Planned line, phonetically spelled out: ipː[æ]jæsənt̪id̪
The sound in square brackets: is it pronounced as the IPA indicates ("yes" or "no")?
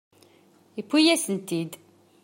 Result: no